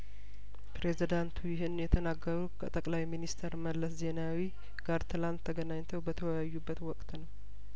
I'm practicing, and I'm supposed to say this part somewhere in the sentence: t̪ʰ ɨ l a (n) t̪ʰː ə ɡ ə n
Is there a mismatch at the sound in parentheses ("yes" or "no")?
no